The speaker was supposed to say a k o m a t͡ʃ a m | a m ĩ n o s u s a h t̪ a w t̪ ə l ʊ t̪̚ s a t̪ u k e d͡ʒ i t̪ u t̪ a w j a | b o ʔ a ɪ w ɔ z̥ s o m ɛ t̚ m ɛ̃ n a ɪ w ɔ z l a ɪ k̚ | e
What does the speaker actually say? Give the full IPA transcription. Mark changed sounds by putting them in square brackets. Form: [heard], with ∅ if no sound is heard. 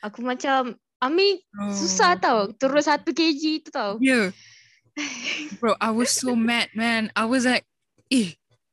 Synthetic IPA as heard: a k [u] m a t͡ʃ a m | a m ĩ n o s u s a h t̪ a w t̪ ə [ɾ] ʊ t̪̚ s a t̪ u k e d͡ʒ i t̪ u t̪ a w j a | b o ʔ a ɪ w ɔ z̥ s o m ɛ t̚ m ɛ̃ n a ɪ w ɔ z l a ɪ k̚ | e